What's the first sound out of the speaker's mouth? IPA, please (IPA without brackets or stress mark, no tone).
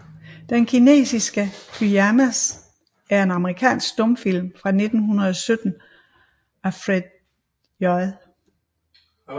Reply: d̥